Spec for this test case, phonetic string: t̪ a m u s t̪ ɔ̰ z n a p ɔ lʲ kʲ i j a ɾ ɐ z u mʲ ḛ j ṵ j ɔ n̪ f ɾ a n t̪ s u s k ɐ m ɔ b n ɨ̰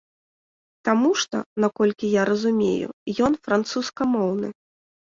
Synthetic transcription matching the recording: t̪ a m u ʂ t̪ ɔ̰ n a k ɔ lʲ kʲ i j a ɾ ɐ z u mʲ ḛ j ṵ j ɔ n̪ f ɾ a n t̪ s u s k ɐ m ɔ w n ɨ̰